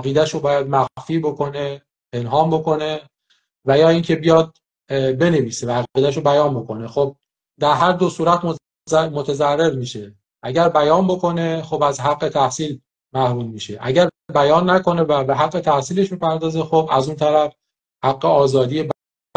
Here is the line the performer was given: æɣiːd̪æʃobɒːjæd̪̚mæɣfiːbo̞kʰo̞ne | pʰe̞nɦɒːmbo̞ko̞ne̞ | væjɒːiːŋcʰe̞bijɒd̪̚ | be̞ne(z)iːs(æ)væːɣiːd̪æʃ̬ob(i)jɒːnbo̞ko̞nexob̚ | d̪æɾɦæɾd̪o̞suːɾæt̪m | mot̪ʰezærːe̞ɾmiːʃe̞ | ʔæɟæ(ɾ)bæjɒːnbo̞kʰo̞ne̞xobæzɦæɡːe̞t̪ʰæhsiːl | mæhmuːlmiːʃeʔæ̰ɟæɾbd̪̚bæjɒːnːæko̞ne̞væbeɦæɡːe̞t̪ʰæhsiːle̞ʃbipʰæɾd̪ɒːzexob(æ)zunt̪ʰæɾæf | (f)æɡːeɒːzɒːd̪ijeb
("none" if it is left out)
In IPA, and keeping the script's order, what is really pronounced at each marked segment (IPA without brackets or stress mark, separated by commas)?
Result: v, e, æ, ɾ, æ, h